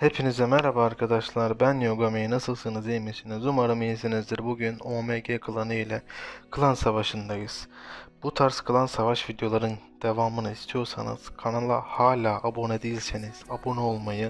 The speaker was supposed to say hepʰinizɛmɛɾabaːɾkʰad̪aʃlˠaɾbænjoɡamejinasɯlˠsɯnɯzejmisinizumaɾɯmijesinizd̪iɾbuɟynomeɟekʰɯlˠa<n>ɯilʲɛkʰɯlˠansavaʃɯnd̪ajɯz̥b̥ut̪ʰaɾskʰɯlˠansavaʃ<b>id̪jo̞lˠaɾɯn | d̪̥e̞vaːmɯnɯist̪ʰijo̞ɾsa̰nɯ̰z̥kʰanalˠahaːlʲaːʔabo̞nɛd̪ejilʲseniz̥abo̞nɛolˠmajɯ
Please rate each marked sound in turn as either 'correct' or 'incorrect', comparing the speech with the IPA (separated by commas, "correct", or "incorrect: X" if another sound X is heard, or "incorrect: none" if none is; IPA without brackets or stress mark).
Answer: correct, incorrect: v